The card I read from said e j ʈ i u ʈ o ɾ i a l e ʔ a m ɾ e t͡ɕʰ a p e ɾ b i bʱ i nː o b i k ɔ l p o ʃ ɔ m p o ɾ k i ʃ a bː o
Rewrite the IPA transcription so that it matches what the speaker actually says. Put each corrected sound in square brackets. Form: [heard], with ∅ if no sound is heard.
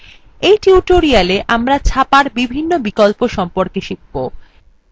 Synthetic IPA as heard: e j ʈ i u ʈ o ɾ i a l e ʔ a m ɾ [a] t͡ɕʰ a p [a] ɾ b i bʱ i nː o b i k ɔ l p o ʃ ɔ m p o ɾ k [e] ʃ [i] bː o